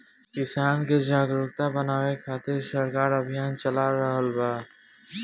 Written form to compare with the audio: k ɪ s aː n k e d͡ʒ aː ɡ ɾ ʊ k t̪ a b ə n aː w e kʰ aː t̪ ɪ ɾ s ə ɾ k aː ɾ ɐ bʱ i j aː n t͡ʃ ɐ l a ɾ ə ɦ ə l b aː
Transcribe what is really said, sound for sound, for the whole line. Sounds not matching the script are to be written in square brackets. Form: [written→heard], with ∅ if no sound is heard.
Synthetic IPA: k ɪ s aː n k e d͡ʒ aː ɡ ɾ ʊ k t̪ a b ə n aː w e kʰ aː t̪ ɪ ɾ s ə ɾ k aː ɾ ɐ bʱ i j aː n t͡ʃ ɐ l a ɾ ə ɦ ə l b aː